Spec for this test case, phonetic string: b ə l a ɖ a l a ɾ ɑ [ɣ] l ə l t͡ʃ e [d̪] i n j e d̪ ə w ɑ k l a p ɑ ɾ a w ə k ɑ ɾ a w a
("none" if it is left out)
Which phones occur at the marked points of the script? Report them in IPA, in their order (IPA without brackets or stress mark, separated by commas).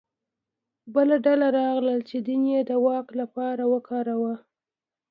ɣ, d̪